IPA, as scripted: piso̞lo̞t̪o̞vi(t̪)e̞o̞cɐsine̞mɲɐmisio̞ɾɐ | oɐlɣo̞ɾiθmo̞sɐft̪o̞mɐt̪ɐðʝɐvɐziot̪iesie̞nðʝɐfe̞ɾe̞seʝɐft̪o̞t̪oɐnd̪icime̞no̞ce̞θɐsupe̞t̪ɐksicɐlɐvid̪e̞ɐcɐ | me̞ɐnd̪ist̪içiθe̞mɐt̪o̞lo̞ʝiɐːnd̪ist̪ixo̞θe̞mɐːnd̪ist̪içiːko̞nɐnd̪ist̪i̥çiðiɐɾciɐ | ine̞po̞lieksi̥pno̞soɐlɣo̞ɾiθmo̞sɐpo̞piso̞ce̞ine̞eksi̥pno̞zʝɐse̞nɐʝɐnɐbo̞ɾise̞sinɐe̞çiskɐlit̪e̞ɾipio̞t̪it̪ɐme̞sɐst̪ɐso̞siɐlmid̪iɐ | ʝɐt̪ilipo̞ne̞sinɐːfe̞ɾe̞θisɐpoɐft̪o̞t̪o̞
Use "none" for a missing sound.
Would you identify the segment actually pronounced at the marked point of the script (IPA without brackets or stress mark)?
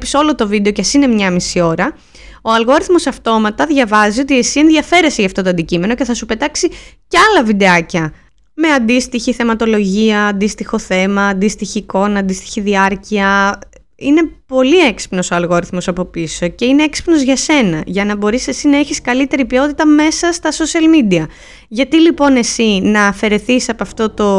d̪